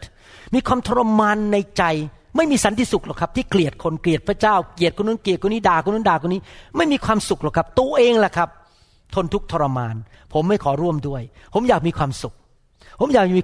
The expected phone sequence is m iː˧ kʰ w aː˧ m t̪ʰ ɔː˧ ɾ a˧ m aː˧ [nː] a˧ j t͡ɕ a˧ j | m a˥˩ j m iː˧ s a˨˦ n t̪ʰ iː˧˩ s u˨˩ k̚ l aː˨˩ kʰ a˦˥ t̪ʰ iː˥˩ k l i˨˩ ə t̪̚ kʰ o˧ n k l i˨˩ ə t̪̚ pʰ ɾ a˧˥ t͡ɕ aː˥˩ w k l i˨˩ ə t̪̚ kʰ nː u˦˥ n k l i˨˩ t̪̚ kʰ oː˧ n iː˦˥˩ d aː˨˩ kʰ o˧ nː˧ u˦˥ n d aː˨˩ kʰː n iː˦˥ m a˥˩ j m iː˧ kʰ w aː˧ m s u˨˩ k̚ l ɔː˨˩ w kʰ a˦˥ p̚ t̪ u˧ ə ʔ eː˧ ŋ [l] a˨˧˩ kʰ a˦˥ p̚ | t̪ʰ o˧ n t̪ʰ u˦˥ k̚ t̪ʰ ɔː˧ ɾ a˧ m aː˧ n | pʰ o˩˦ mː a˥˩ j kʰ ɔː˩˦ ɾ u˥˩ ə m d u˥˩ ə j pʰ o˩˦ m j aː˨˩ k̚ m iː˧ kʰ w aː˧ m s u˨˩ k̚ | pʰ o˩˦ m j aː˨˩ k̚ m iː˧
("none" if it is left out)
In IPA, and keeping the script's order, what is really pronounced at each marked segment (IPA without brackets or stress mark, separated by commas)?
nː, l